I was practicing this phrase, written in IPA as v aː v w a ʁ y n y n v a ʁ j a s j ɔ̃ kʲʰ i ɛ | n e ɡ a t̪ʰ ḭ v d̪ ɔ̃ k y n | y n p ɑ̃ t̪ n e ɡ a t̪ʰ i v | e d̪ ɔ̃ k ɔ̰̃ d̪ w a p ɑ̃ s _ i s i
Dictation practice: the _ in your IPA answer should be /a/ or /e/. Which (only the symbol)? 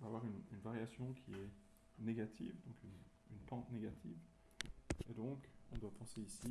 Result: e